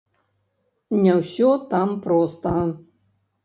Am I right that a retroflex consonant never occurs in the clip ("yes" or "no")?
yes